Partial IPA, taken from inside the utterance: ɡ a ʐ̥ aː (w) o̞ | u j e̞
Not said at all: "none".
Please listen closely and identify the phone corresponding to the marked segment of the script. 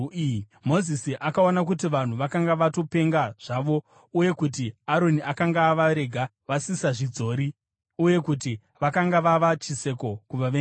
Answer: ʋ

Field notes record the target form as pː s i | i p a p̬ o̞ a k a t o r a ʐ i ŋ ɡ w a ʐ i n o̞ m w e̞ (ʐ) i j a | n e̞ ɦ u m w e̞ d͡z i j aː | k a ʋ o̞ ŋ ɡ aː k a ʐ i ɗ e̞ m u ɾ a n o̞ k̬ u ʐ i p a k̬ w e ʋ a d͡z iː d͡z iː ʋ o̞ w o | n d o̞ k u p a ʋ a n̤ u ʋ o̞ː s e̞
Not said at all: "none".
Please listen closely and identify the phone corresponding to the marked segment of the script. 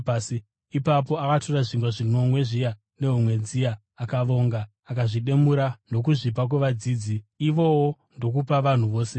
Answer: ʐ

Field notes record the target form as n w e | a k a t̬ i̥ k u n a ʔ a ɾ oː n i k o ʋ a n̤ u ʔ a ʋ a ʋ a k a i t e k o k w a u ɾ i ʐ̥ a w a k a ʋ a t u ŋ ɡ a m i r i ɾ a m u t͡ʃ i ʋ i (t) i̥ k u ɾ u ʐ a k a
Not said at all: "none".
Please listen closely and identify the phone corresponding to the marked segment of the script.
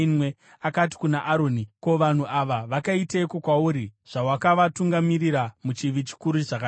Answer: t͡ʃ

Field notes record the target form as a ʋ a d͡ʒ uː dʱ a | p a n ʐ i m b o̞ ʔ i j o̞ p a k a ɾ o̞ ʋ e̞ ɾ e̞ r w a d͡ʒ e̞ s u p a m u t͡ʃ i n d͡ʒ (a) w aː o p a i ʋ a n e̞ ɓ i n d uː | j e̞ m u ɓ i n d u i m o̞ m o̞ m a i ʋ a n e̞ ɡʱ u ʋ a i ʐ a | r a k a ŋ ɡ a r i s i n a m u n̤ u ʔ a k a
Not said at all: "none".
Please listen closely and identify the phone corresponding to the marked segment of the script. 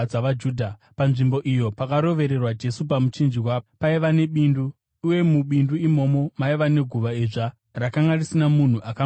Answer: i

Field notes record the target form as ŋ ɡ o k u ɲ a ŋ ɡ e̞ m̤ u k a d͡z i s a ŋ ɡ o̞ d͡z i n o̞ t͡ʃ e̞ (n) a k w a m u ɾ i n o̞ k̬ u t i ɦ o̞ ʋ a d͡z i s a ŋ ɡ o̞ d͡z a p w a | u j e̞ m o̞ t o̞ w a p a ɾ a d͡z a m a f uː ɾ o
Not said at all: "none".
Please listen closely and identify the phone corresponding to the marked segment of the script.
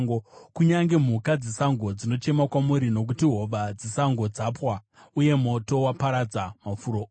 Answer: m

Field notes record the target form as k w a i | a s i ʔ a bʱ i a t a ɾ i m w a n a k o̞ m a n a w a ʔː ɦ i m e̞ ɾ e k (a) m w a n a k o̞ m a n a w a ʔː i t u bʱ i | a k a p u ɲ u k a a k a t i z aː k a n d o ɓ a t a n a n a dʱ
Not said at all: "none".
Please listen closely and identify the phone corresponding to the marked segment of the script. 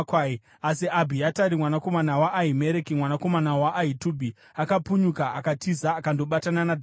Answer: i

